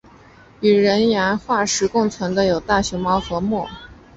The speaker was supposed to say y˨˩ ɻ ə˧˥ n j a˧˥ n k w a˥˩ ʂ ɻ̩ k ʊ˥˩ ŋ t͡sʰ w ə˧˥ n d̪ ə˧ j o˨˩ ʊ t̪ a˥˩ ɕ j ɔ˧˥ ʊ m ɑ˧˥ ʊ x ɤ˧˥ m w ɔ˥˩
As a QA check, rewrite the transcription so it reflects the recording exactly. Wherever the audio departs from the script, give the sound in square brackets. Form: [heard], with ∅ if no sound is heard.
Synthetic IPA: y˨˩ ɻ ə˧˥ n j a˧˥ n [x] w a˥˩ ʂ ɻ̩ k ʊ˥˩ ŋ t͡sʰ w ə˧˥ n d̪ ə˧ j o˨˩ ʊ t̪ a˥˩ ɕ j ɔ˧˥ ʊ m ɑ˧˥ ʊ x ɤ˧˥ m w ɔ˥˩